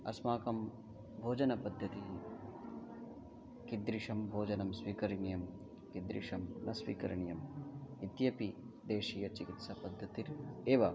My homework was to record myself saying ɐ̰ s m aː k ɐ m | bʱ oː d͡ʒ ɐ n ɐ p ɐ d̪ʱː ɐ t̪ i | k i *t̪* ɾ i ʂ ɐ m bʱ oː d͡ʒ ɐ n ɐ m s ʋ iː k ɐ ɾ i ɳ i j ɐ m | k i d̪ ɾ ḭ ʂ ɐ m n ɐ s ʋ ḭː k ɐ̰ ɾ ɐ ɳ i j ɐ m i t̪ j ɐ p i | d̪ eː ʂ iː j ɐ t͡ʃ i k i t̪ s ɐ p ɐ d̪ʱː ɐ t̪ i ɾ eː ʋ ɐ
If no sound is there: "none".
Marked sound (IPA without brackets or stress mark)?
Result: d̪